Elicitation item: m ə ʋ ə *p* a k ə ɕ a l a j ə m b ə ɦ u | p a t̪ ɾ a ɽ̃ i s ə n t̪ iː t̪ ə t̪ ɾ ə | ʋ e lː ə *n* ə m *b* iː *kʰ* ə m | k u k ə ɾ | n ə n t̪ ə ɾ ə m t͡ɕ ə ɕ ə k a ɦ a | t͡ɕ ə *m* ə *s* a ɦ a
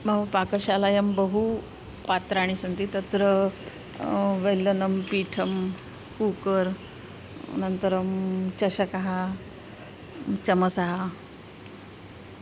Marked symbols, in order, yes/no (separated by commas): yes, yes, no, no, yes, yes